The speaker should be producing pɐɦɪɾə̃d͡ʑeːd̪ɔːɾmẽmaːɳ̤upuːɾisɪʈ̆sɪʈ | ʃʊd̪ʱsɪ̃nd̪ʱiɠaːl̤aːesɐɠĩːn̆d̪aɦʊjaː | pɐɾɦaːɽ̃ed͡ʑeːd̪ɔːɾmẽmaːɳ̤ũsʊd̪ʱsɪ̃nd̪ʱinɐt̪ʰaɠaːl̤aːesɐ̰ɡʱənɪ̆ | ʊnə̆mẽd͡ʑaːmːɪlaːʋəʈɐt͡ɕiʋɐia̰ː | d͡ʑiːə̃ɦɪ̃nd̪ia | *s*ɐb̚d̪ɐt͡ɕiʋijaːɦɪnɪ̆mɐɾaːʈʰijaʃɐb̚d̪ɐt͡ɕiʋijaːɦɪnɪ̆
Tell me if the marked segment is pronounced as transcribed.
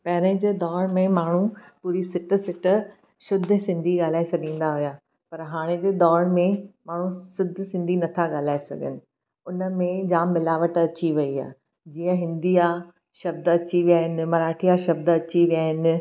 no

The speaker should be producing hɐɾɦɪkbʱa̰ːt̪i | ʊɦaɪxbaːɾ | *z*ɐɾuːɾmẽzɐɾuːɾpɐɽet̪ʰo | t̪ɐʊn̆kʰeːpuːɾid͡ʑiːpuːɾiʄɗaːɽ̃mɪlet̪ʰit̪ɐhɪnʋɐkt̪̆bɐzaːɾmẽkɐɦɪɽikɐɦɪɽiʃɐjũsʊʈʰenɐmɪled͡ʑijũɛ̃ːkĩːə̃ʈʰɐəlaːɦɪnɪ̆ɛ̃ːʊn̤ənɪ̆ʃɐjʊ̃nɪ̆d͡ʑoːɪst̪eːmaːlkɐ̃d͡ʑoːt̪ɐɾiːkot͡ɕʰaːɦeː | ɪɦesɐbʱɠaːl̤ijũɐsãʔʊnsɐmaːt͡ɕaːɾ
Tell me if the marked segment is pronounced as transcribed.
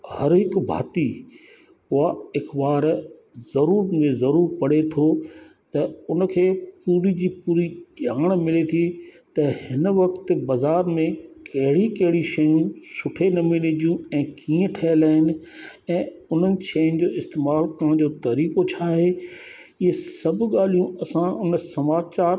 yes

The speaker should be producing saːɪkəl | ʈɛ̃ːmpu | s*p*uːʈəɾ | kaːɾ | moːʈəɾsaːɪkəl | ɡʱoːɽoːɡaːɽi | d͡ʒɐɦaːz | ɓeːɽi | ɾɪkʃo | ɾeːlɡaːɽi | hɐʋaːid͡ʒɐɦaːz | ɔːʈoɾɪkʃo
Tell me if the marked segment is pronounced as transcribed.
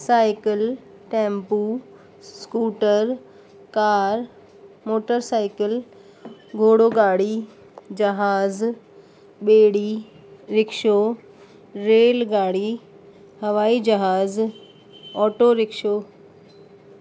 no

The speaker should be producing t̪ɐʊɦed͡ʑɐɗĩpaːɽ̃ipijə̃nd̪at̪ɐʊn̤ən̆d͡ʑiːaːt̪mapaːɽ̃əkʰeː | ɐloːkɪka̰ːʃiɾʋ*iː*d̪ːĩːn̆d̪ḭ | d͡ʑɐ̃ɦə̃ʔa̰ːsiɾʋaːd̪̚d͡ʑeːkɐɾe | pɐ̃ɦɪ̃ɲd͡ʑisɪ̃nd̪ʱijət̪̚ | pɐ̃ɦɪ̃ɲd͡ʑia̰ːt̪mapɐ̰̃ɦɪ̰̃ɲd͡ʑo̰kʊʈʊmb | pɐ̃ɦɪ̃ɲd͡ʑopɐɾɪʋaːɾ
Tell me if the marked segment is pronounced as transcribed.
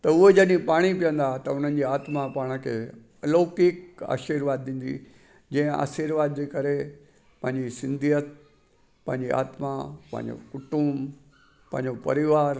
no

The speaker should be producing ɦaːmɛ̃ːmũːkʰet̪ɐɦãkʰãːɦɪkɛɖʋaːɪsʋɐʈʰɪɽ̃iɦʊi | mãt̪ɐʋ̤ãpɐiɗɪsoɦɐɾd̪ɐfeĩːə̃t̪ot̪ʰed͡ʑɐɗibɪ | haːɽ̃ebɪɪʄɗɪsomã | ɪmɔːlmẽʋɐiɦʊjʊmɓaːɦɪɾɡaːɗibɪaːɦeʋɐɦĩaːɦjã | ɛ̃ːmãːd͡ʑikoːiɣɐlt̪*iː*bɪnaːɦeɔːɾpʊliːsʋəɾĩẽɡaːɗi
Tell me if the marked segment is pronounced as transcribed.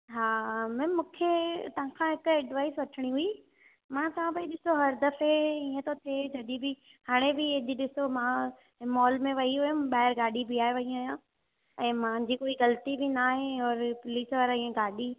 no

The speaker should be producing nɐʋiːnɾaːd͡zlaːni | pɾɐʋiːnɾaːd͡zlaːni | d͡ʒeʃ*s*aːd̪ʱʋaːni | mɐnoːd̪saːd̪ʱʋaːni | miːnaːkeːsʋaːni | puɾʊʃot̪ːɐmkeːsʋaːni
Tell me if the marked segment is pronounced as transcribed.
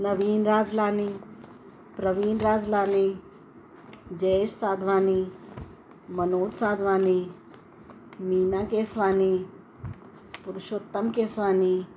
yes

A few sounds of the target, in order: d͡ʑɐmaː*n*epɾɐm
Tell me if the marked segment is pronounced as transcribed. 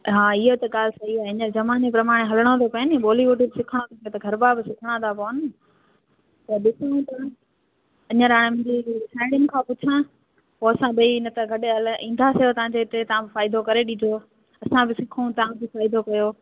yes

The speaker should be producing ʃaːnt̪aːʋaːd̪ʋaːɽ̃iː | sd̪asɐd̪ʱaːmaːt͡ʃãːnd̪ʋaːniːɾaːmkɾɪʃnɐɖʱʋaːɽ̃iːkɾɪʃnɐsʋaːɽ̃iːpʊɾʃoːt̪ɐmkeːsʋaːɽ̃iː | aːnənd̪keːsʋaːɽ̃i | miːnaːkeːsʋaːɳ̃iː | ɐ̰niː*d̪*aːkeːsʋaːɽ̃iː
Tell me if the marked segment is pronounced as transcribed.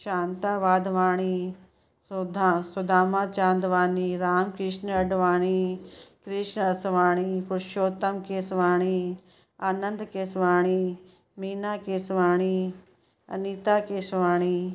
no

